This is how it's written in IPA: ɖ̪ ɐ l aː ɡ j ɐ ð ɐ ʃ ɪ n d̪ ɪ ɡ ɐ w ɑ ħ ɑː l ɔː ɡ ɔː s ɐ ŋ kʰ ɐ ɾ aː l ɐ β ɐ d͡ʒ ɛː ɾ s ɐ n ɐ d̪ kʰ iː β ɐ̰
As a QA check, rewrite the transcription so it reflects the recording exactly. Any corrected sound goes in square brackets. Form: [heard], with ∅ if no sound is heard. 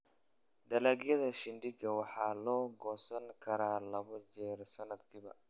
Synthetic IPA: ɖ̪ ɐ l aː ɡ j ɐ ð ɐ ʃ ɪ n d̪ ɪ ɡ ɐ w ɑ ħ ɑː l ɔː ɡ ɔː s ɐ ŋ kʰ ɐ ɾ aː l ɐ β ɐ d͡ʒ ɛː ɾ s ɐ n ɐ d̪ kʰ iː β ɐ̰